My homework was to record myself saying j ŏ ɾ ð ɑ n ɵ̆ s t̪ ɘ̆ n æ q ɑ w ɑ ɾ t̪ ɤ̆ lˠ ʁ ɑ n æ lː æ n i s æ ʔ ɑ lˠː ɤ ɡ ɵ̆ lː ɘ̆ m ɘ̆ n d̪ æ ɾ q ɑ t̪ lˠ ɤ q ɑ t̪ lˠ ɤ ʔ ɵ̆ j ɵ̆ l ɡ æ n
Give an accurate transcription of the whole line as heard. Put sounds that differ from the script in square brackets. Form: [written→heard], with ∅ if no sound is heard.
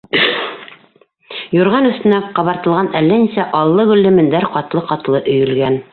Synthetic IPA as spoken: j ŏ ɾ [ð→ʁ] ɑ n ɵ̆ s t̪ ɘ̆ n æ q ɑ [w→β] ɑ ɾ t̪ ɤ̆ lˠ ʁ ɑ n æ lː æ n i s æ ʔ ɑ lˠː ɤ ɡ ɵ̆ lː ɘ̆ m ɘ̆ n d̪ æ ɾ q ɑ t̪ lˠ ɤ q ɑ t̪ lˠ ɤ ʔ ɵ̆ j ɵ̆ l ɡ æ n